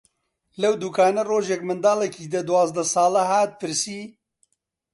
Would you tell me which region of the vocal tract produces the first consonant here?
tongue tip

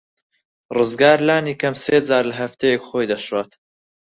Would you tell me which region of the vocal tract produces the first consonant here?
tongue tip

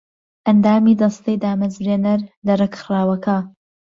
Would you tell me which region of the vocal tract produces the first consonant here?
throat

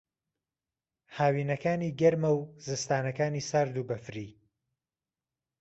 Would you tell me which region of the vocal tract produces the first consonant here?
throat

